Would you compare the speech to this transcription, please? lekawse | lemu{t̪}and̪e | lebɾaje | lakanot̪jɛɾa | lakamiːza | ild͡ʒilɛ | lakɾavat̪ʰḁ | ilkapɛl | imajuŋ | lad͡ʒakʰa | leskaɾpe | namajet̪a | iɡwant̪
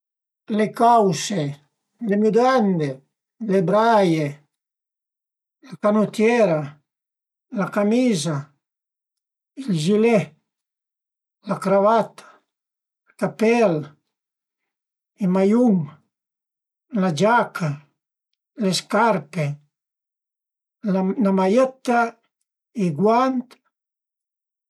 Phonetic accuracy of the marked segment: incorrect: d̪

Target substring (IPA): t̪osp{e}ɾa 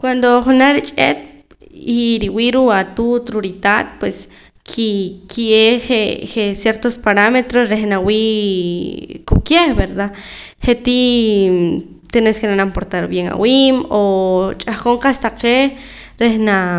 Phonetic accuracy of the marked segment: incorrect: a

